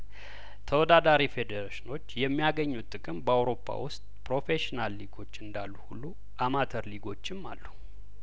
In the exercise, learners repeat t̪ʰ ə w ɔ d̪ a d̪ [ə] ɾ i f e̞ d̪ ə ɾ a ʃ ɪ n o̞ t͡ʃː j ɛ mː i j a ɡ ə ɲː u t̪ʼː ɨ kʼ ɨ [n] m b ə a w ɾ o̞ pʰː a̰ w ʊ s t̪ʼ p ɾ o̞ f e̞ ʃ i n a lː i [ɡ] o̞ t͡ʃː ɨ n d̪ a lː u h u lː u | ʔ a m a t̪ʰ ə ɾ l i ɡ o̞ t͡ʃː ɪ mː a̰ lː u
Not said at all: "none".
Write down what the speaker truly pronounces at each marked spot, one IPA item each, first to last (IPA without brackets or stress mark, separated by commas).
a, none, ɡ